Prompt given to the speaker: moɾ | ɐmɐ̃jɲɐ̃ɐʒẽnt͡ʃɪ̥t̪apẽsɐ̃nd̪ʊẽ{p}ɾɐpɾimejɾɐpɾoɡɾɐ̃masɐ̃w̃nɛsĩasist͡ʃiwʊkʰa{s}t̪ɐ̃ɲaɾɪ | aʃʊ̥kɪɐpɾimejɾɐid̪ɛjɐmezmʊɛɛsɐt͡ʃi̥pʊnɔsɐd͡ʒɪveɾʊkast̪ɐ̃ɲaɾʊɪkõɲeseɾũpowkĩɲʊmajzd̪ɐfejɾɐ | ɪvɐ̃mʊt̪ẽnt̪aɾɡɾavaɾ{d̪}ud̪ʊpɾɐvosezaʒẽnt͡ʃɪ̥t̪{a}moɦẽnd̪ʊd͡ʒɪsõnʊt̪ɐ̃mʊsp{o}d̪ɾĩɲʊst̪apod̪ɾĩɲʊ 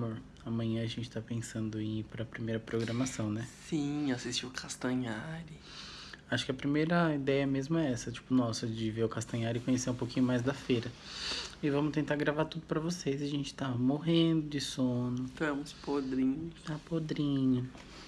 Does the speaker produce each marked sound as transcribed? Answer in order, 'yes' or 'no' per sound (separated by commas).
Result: yes, yes, no, yes, yes